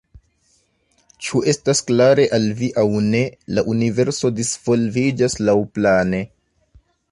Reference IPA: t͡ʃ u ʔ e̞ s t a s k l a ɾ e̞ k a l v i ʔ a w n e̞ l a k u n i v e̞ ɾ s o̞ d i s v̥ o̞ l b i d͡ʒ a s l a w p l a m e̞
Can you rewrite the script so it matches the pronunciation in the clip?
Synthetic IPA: t͡ʃ u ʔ e̞ s t a s k l a ɾ e̞ ʔ a l v i ʔ a w n e̞ l a ʔ u n i v e̞ ɾ s o̞ d i s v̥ o̞ l v i d͡ʒ a s l a w p l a n e̞